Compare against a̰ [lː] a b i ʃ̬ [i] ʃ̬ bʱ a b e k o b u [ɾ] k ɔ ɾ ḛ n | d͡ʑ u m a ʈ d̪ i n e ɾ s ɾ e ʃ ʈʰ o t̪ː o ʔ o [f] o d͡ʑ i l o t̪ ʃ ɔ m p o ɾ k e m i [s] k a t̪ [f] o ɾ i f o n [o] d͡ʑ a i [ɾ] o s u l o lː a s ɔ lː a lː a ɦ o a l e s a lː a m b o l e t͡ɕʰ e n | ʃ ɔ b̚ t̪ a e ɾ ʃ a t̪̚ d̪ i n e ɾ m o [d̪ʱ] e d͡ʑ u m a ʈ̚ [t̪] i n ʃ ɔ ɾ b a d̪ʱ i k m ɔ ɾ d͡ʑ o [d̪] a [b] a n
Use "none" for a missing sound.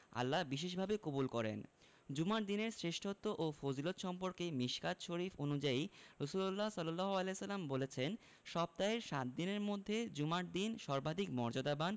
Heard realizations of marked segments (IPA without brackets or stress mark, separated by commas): lː, e, l, f, ʃ, ʃ, u, ɾ, d̪ʱː, d̪, d̪, b